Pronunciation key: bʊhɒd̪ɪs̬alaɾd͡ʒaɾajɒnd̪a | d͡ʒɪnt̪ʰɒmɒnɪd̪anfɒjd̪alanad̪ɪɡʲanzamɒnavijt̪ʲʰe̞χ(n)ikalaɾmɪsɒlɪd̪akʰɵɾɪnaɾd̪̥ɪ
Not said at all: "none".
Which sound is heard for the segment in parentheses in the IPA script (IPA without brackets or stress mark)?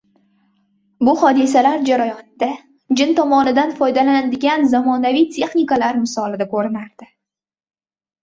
n